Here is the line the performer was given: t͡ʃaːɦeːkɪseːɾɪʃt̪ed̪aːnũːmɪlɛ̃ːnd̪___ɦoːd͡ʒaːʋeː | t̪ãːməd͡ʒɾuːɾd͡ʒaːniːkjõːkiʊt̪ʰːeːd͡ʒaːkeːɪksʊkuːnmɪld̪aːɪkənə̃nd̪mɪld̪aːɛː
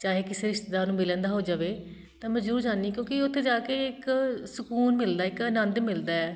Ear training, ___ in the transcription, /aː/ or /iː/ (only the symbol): aː